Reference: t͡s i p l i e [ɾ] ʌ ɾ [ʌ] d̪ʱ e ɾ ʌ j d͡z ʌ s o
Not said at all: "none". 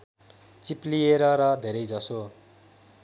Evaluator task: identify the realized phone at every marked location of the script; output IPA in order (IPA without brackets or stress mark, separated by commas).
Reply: ɾ, ʌ